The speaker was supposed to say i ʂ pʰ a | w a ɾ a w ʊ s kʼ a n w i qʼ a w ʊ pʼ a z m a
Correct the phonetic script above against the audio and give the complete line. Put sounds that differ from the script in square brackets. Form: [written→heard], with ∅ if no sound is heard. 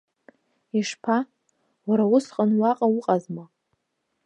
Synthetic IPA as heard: i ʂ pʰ a | w a ɾ a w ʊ s [kʼ→qʼ] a n w [i→a] qʼ a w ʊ [pʼ→qʼ] a z m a